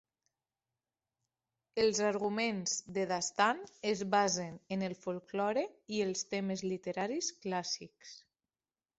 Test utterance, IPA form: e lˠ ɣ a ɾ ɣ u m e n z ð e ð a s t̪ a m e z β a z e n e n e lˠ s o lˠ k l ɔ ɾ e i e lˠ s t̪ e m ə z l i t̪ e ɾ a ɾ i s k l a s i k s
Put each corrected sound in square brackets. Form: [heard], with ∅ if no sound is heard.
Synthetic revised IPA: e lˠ [z] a ɾ ɣ u m e n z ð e ð a s t̪ a [n] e z β a z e n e n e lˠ [f] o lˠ k l ɔ ɾ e i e lˠ s t̪ e m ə z l i t̪ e ɾ a ɾ i s k l a s i k s